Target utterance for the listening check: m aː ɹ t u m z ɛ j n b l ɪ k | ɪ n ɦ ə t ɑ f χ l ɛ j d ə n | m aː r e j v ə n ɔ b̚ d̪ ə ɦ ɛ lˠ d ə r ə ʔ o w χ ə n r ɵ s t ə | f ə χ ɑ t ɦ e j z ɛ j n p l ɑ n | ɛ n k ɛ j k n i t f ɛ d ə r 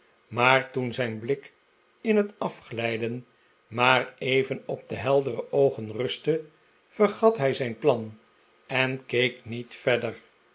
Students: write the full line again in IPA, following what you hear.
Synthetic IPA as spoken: m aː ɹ t u n z ɛ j n b l ɪ k | ɪ n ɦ ə t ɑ f χ l ɛ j d ə n | m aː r e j v ə n ɔ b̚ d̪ ə ɦ ɛ lˠ d ə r ə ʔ o w χ ə n r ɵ s t ə | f ə χ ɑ t ɦ ɛ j z ɛ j n p l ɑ n | ɛ n k e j k n i t f ɛ d ə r